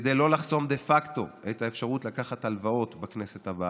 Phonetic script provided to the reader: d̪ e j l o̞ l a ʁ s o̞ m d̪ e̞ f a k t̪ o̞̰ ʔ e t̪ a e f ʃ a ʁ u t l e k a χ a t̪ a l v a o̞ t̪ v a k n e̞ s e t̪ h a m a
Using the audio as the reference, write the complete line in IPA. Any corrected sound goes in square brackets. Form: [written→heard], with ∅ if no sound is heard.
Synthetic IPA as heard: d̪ e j l o̞ l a [ʁ→χ] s o̞ m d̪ e̞ f a k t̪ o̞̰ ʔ e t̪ a e f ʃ a ʁ u t l [e→a] k a χ a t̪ a l v a o̞ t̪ [v→b] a k n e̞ s e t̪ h a [m→b] a